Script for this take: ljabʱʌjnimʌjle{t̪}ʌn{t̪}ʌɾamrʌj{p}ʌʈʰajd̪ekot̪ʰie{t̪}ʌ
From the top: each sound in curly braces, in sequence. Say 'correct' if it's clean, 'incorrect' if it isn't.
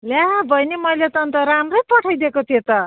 correct, correct, correct, correct

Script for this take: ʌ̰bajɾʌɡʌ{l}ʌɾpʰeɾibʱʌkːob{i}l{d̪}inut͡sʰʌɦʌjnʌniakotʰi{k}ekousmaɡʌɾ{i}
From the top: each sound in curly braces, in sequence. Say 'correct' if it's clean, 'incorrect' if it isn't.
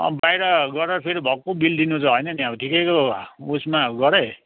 incorrect, correct, correct, correct, incorrect

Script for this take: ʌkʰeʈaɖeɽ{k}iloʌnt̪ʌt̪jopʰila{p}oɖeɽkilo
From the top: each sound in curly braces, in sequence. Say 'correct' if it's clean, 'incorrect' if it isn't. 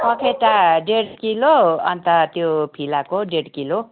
correct, incorrect

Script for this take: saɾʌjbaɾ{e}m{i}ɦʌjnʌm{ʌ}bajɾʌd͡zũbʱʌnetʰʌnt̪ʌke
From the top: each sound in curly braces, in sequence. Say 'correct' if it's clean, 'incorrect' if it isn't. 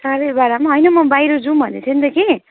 incorrect, incorrect, correct

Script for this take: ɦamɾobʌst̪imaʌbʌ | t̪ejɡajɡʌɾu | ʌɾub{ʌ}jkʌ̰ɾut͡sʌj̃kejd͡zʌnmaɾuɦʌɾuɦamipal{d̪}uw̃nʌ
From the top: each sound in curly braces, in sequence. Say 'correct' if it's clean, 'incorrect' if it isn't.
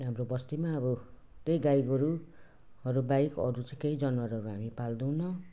incorrect, correct

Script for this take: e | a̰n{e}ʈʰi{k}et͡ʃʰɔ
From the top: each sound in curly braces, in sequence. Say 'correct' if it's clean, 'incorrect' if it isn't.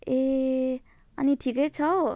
incorrect, correct

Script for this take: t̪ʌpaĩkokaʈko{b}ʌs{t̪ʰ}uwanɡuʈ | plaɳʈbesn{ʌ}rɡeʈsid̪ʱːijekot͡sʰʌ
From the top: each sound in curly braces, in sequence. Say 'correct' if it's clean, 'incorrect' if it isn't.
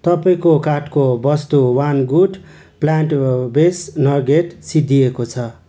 correct, incorrect, correct

